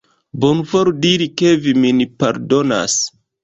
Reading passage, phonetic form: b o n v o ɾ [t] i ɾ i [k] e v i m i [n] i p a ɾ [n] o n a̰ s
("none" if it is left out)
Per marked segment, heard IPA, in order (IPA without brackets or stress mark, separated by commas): d, k, n, d